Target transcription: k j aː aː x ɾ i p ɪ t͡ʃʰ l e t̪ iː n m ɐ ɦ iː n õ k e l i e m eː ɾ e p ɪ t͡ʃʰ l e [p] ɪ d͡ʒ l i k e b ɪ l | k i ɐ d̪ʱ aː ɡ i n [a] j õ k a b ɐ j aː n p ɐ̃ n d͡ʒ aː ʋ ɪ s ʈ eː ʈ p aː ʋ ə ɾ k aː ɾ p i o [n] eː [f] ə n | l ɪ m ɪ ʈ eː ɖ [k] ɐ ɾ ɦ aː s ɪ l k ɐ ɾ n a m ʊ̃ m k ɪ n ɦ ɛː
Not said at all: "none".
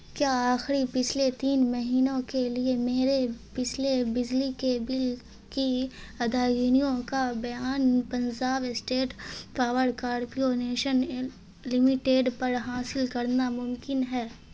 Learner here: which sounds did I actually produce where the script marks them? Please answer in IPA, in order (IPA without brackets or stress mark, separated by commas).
b, i, n, ʃ, p